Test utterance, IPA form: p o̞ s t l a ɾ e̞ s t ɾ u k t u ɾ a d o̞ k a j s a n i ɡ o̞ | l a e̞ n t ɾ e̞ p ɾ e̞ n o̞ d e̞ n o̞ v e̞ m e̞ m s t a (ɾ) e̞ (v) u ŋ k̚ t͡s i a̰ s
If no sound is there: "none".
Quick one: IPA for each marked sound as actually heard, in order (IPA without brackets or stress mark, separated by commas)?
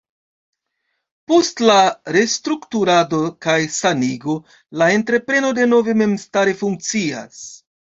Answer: ɾ, f